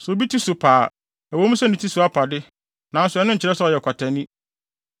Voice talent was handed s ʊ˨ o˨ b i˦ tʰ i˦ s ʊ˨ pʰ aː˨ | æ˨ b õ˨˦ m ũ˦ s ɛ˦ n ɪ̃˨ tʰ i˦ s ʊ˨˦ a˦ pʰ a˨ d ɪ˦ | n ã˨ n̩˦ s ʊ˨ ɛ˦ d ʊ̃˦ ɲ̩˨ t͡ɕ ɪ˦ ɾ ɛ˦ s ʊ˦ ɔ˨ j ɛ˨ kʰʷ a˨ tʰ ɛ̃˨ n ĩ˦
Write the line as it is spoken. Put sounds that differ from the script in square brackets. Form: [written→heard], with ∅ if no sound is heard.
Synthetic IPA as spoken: s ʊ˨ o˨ b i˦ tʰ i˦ s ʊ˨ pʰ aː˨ | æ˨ [b→w] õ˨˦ m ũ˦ s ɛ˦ n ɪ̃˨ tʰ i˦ s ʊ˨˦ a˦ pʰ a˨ d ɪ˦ | n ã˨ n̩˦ s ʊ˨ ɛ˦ [d→n] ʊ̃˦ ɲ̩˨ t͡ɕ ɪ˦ ɾ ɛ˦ s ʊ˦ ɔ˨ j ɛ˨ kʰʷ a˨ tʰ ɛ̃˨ n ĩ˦

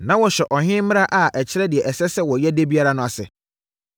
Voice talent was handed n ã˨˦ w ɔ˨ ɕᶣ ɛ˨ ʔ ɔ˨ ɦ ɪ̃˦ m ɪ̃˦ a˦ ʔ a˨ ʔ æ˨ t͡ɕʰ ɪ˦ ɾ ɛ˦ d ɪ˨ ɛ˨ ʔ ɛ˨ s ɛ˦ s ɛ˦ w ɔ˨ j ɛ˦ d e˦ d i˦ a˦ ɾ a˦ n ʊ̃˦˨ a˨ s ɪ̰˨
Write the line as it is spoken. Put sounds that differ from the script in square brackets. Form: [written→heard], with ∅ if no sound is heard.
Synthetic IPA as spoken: n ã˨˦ w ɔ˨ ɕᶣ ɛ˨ ʔ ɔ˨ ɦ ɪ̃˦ m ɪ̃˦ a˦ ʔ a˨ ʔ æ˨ t͡ɕʰ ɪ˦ ɾ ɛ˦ d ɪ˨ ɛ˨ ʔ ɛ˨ s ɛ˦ s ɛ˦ w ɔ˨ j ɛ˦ d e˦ [d→b] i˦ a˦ ɾ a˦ n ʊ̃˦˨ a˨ s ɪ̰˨

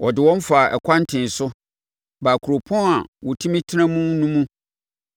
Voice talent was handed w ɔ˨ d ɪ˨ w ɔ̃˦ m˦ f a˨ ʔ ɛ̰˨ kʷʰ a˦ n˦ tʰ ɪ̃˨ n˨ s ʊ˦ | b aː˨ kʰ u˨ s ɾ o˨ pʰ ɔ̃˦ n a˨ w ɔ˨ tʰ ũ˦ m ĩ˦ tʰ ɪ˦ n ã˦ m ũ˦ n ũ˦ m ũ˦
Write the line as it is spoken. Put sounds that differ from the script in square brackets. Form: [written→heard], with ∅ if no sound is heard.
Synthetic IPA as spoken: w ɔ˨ d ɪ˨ w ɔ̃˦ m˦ f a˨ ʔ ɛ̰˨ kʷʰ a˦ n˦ tʰ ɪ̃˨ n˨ s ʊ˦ | b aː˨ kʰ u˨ [s→∅] ɾ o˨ pʰ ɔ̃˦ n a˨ w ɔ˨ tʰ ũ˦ m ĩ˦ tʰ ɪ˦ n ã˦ m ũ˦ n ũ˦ m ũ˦

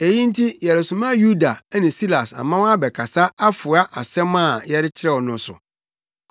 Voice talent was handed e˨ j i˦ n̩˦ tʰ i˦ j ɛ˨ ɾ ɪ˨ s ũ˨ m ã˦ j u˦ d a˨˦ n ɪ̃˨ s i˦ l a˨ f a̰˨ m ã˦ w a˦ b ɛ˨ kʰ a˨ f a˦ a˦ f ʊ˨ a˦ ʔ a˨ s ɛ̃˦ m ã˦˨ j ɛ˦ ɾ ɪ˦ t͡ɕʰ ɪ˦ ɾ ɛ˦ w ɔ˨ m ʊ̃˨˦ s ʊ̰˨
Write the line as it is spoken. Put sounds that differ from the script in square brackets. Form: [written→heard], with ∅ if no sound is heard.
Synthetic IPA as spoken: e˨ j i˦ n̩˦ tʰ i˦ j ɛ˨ ɾ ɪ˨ s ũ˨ m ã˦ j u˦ d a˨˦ n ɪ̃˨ s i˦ l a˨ [f→s] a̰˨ m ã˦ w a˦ b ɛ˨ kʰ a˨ [f→s] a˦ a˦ f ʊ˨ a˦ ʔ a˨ s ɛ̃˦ m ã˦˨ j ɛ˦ ɾ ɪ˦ t͡ɕʰ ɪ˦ ɾ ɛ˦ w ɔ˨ [m→n] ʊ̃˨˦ s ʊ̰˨

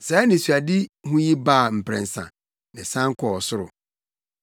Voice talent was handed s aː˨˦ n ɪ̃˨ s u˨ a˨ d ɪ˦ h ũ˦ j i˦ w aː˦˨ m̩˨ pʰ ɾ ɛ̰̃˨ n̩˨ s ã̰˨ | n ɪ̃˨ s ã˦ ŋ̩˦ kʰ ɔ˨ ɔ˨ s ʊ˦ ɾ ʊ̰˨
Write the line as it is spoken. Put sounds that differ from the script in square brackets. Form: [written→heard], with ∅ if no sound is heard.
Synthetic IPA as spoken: s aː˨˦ n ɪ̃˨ s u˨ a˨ d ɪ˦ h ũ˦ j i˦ [w→b] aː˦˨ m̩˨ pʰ ɾ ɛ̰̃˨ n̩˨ s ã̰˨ | n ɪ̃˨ s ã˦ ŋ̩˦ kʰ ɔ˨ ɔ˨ s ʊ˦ ɾ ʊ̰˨

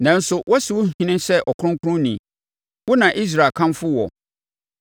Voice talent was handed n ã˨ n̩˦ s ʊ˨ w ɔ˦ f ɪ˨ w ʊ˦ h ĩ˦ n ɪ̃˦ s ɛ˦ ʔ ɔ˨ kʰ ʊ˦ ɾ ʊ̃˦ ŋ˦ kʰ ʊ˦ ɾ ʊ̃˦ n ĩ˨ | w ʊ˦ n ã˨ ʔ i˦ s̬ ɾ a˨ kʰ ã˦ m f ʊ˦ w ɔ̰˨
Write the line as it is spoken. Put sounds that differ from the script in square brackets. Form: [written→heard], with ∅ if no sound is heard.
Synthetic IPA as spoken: n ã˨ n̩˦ s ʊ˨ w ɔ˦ [f→s] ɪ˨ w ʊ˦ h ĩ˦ n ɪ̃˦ s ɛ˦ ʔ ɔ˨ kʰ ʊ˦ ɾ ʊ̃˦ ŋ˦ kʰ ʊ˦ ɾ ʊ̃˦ n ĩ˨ | w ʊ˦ n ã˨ ʔ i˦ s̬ ɾ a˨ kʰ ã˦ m f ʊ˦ w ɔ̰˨

